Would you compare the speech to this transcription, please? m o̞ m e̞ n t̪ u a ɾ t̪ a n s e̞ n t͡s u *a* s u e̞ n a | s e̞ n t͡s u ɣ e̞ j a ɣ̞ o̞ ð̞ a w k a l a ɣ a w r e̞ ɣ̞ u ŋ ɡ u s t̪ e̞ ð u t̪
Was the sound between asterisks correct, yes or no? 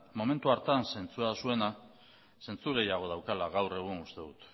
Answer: yes